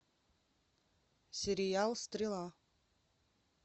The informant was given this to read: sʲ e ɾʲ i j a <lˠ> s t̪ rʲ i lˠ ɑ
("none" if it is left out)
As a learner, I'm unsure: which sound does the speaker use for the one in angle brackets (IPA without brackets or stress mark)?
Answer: lˠ